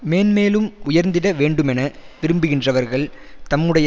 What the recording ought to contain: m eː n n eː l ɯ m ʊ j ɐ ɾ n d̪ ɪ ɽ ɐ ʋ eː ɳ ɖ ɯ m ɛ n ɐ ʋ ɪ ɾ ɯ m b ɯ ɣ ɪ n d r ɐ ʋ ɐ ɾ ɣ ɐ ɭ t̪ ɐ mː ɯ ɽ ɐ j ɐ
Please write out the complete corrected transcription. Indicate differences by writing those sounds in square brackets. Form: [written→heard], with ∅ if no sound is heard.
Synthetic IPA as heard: m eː n [n→m] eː l ɯ m ʊ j ɐ ɾ n d̪ ɪ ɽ ɐ ʋ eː ɳ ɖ ɯ m ɛ n ɐ ʋ ɪ ɾ ɯ m b ɯ ɣ ɪ n d r ɐ ʋ ɐ ɾ ɣ ɐ ɭ t̪ ɐ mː ɯ ɽ ɐ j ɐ